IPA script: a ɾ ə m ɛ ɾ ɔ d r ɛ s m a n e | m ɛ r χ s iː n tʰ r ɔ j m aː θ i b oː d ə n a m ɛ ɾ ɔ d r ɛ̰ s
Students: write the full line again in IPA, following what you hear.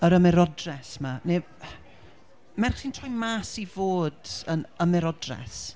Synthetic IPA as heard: ə ɾ ə m ɛ ɾ ɔ d r ɛ s m a n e | m ɛ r χ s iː n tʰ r ɔ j m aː s i v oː d ə n ə m ɛ ɾ ɔ d r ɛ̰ s